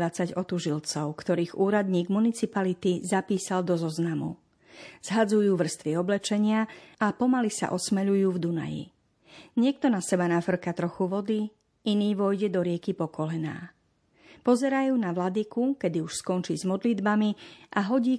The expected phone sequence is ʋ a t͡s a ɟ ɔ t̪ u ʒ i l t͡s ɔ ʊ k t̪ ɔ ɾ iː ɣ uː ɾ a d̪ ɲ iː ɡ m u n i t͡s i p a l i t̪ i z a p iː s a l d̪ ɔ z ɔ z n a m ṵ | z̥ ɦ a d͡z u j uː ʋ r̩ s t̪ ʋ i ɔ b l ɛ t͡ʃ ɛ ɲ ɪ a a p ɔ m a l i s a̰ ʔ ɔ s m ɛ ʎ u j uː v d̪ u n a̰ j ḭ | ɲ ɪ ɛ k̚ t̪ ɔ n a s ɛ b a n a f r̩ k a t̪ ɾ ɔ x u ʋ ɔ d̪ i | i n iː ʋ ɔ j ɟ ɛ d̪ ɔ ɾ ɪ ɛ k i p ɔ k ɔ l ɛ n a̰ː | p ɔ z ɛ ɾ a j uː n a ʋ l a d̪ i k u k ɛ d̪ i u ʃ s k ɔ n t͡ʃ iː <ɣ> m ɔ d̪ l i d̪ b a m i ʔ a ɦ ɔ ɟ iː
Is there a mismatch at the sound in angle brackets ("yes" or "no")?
yes